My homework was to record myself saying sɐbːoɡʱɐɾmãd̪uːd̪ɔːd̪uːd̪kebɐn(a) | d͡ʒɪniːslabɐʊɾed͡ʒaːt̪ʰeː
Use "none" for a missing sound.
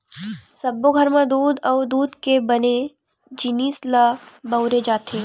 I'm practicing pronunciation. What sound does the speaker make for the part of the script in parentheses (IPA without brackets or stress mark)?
e